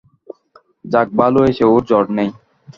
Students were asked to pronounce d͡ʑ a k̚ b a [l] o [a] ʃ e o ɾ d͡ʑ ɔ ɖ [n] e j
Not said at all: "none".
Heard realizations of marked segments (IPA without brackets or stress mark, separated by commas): l, e, n